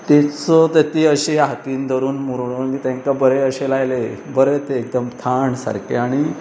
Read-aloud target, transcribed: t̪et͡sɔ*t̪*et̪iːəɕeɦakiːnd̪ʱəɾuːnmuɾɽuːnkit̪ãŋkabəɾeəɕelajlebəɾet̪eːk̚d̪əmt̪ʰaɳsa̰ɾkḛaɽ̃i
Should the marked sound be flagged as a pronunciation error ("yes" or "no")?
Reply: no